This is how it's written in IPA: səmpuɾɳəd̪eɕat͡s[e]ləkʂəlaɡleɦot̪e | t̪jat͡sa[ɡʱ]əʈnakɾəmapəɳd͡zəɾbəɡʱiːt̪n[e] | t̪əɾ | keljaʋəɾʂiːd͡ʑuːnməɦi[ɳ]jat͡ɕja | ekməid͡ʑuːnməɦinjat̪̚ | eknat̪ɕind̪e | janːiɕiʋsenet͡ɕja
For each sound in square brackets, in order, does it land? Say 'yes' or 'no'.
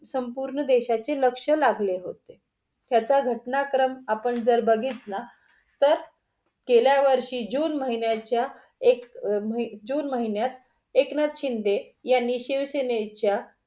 yes, yes, no, no

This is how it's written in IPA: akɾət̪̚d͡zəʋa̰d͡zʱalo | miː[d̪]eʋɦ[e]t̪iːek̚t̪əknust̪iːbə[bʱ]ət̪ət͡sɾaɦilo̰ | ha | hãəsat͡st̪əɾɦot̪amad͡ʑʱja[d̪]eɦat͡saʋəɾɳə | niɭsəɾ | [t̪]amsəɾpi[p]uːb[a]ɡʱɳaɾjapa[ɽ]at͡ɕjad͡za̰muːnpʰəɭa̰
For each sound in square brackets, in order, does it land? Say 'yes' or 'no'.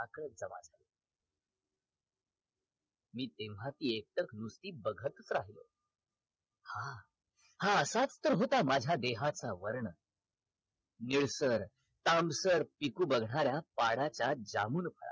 no, no, no, yes, yes, no, no, yes

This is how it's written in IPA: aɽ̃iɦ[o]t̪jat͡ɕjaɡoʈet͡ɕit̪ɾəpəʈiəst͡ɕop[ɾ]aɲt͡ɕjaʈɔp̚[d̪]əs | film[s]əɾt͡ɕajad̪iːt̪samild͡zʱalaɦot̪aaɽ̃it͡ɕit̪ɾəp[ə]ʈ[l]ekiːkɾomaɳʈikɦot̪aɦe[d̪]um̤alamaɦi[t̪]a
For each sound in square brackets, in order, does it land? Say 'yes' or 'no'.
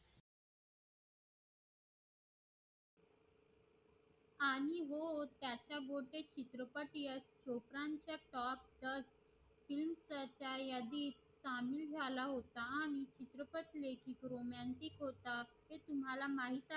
yes, yes, yes, yes, yes, yes, no, yes

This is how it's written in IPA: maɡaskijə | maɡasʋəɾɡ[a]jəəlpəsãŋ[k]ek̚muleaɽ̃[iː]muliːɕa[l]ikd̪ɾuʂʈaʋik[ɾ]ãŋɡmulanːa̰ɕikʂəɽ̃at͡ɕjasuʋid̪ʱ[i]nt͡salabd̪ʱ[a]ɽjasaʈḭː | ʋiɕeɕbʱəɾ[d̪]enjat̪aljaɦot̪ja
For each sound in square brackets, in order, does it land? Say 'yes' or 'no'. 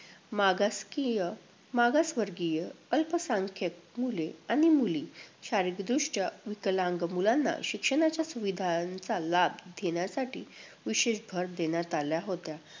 no, no, no, no, no, no, no, yes

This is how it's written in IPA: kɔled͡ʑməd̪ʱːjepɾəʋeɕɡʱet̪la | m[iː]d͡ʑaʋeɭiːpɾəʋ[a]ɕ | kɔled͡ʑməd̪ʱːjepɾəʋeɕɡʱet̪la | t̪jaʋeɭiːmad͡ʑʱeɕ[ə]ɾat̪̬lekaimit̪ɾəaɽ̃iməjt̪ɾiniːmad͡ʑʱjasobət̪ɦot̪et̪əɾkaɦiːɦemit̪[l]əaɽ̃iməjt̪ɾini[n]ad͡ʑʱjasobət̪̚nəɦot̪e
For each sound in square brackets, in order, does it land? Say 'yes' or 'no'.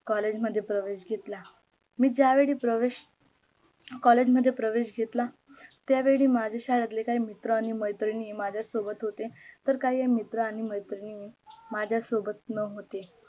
yes, no, no, no, no

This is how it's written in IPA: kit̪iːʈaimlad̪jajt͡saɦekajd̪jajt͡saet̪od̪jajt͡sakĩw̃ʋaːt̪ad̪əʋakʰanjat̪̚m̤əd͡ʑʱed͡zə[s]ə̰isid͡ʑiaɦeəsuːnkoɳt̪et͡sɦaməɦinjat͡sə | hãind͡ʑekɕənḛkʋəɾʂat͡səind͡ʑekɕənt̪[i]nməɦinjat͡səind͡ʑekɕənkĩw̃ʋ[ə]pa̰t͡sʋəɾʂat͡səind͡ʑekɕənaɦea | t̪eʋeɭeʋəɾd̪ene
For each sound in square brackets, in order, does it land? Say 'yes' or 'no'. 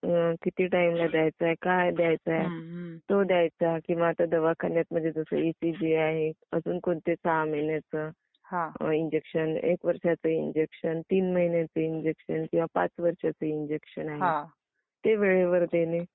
yes, no, no

